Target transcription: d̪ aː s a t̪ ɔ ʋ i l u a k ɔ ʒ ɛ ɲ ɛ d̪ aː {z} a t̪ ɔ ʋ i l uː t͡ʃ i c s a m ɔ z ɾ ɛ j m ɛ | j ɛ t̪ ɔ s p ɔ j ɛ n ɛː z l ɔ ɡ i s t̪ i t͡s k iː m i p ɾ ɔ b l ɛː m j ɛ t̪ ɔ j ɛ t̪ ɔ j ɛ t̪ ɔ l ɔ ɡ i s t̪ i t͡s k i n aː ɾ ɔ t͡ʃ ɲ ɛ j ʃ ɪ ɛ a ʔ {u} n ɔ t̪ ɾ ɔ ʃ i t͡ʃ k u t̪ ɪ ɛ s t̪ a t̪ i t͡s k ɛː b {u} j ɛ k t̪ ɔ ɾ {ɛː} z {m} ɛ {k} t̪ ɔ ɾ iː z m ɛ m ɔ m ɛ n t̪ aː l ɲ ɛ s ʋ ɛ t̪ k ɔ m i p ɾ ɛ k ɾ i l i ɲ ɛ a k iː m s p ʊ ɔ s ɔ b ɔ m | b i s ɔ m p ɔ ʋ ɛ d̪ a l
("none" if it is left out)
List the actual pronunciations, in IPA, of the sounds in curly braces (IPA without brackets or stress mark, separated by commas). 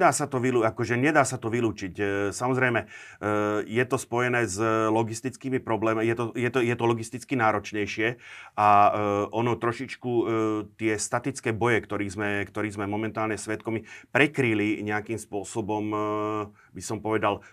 s, ɔ, ɔ, iː, m, k